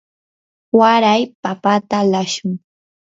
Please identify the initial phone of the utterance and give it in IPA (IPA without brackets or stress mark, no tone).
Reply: w